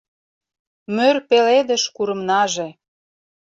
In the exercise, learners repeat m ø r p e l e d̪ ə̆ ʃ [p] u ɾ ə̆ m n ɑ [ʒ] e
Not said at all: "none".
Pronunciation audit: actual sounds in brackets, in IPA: k, ʒ

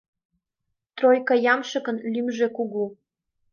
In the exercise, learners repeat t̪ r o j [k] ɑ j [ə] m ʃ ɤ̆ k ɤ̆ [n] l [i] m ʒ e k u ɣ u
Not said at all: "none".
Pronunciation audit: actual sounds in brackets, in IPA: k, ɑ, n, y

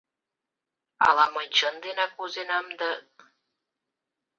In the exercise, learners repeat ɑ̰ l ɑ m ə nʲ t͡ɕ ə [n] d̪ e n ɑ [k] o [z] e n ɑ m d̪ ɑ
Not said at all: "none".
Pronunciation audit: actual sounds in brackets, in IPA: n, k, z

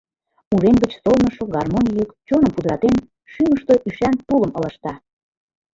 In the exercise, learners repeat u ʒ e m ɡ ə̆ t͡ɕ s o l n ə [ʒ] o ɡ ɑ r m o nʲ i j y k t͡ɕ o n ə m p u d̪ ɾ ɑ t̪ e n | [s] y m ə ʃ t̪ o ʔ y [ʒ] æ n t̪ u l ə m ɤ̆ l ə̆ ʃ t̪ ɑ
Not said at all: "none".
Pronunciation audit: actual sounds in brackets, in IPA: ʃ, ʃ, ʃ

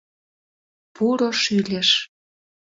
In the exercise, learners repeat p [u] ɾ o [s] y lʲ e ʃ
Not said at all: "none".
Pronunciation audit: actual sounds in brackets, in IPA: u, ʃ

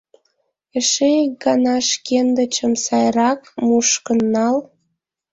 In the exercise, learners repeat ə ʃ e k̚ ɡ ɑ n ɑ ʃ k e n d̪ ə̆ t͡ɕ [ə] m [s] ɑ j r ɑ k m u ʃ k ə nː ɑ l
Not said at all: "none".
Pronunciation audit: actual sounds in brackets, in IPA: ə, s

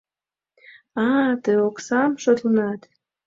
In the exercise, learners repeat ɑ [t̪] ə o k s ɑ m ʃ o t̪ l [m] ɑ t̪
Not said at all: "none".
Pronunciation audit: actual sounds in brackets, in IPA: t̪, n

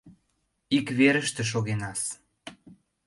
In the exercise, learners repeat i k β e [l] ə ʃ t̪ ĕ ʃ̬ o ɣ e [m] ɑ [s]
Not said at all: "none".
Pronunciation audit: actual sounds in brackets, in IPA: ɾ, n, s

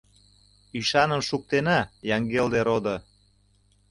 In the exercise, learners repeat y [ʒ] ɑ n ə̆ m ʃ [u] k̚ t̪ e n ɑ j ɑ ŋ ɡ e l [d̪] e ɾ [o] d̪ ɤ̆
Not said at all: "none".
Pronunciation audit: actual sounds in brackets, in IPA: ʃ, u, d̪, o

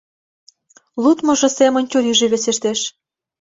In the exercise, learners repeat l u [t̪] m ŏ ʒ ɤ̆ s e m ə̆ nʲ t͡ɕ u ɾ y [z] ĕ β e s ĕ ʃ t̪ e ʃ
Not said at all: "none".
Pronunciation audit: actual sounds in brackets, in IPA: t̪, ʒ

